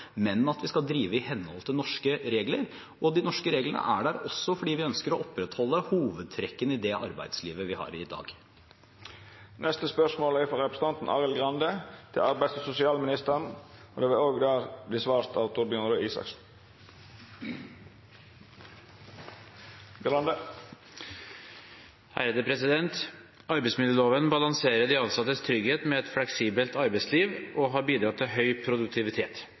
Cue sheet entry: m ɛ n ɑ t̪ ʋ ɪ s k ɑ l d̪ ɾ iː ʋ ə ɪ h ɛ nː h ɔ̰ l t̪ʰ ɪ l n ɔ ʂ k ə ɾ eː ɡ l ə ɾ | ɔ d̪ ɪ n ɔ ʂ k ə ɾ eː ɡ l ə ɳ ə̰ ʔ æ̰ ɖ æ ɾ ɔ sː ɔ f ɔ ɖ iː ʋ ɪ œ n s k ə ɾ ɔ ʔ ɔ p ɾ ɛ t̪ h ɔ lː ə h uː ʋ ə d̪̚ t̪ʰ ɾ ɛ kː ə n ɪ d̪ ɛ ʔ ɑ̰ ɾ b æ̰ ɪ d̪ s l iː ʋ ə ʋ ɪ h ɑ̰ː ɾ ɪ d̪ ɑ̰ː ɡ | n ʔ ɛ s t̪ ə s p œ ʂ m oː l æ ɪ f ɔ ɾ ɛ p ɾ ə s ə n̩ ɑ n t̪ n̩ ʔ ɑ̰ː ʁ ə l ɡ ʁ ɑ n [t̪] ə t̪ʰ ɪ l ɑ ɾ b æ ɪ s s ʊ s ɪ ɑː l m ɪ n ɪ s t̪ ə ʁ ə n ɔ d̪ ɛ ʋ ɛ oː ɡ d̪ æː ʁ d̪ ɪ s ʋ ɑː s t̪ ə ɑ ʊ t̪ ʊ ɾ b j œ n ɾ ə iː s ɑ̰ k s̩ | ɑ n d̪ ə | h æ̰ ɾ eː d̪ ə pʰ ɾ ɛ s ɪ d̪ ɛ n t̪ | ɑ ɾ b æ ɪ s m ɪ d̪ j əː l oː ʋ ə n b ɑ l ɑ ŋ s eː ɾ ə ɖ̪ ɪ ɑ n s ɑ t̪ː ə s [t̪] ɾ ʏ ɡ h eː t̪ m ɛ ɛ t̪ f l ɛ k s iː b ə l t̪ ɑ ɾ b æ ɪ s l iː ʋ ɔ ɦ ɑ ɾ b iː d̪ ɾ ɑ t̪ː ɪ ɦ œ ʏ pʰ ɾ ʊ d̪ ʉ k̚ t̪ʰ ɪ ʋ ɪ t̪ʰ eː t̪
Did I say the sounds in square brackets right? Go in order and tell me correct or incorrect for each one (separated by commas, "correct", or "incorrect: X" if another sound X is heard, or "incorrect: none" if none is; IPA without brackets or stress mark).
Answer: incorrect: d̪, incorrect: t̪ʰ